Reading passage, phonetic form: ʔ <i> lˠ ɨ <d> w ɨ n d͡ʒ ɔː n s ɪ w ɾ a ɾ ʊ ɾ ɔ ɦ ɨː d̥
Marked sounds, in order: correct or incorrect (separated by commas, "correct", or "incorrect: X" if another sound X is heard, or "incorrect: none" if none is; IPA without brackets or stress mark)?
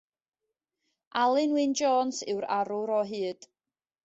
incorrect: a, incorrect: n